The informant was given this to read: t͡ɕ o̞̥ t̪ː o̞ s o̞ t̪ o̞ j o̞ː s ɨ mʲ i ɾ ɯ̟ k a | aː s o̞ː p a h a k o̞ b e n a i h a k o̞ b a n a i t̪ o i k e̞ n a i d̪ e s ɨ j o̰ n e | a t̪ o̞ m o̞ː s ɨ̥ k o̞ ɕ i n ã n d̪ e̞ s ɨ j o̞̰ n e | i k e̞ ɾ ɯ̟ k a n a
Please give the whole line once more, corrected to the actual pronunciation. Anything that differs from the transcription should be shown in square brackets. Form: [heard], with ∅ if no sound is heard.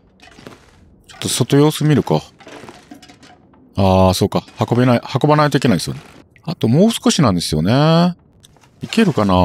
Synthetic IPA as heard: t͡ɕ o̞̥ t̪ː o̞ s o̞ t̪ o̞ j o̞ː s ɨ mʲ i ɾ ɯ̟ k a | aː s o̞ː [k] a h a k o̞ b e n a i h a k o̞ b a n a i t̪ o i k e̞ n a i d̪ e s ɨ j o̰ n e | a t̪ o̞ m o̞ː s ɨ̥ k o̞ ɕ i n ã n d̪ e̞ s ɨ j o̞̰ n e | i k e̞ ɾ ɯ̟ k a n a